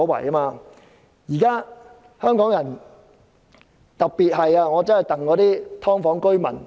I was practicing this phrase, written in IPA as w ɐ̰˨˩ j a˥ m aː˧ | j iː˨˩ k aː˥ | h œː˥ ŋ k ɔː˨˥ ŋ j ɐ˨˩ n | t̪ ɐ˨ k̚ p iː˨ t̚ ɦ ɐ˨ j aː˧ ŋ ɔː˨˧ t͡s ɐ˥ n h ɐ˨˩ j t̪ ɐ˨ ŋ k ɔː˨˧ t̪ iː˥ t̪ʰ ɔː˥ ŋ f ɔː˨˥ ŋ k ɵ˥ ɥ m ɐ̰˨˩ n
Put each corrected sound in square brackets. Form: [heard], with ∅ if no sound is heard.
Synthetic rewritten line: w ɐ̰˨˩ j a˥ m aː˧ | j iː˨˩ k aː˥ | h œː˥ ŋ k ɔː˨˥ ŋ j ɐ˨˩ n | t̪ ɐ˨ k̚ p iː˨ t̚ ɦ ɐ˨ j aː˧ ŋ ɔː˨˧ t͡s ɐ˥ n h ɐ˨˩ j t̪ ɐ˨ ŋ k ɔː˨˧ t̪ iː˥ t̪ʰ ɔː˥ ŋ f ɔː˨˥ ŋ k ɵ˥ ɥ m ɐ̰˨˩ n

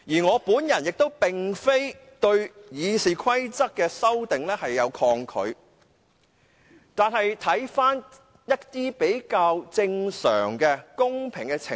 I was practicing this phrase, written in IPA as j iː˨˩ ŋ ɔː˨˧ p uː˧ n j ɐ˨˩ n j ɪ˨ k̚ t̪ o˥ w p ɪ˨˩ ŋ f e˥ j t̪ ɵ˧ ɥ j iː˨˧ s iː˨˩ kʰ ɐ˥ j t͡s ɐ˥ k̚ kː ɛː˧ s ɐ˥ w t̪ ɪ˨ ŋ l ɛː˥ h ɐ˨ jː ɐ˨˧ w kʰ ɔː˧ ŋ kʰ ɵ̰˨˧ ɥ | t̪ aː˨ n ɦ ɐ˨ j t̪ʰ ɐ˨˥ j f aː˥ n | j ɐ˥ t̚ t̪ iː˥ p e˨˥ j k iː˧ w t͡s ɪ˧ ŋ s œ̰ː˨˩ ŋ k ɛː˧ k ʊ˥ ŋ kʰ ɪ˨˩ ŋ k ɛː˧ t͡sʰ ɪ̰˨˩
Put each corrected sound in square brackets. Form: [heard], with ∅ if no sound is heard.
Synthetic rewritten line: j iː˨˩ ŋ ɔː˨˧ p [uː˨˥] n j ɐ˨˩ n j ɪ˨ k̚ t̪ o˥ w p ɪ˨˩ ŋ f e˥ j t̪ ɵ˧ ɥ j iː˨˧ s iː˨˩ kʰ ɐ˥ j t͡s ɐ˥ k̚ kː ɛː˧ s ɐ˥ w t̪ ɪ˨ ŋ l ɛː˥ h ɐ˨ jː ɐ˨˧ w kʰ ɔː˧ ŋ kʰ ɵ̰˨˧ ɥ | t̪ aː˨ n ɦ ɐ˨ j t̪ʰ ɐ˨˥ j f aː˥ n | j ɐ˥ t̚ t̪ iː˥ p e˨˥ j k [aː˧] w t͡s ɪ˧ ŋ s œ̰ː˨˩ ŋ k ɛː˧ k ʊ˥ ŋ [pʰ] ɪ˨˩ ŋ k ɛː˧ t͡sʰ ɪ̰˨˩

